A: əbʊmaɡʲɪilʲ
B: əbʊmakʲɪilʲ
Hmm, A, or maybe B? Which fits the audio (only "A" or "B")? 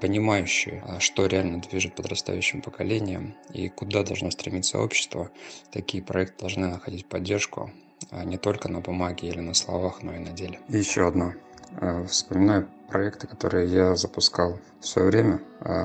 A